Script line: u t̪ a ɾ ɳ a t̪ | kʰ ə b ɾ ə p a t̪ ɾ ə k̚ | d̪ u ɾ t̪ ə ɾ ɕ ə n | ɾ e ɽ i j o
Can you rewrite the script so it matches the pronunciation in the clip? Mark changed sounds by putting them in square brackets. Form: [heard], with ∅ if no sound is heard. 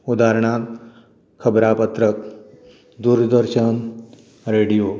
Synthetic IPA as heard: u [d̪] a ɾ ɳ a t̪ | kʰ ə b ɾ [a] p [ə] t̪ ɾ ə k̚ | d̪ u ɾ [d̪] ə ɾ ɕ ə n | ɾ e ɽ i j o